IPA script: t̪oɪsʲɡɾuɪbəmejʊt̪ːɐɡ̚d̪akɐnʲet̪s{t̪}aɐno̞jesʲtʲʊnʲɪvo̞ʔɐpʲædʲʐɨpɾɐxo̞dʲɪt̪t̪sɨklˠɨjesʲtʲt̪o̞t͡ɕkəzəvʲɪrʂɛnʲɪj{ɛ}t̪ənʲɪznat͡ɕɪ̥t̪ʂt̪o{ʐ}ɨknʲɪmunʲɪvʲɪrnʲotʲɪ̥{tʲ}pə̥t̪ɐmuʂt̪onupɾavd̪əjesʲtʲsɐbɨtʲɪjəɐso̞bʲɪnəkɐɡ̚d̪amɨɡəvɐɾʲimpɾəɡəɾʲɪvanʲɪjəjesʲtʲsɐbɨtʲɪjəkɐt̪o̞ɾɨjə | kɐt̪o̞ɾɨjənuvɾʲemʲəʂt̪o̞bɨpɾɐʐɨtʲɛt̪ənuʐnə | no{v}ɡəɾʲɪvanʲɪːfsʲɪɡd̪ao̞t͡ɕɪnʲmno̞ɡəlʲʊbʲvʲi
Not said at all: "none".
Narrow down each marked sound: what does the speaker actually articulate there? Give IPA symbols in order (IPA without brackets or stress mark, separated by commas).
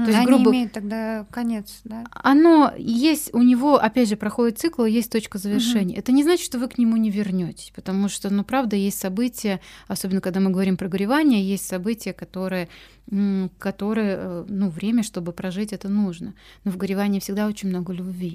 d̪, ɛ, v, sʲ, v